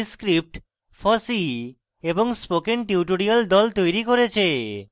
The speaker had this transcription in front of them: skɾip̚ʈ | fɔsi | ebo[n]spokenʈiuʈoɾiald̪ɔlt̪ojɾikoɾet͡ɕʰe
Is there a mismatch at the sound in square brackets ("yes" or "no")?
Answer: yes